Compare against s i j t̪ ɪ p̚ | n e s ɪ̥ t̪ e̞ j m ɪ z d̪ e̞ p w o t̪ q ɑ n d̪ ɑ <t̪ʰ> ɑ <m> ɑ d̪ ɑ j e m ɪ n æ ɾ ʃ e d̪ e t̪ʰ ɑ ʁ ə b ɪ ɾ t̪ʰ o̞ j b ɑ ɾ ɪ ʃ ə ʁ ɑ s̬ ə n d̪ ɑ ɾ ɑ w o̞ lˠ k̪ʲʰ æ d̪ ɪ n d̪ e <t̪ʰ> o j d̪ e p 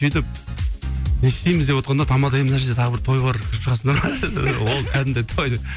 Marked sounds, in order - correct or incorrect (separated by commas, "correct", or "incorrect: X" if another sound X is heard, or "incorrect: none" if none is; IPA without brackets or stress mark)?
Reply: correct, correct, correct